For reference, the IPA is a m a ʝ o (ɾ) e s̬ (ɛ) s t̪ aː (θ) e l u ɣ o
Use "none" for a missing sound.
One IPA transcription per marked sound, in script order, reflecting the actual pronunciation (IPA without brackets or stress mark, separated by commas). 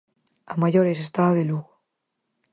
ɾ, e, ð